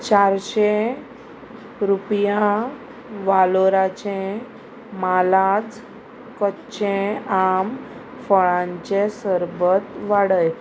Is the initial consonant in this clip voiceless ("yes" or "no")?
yes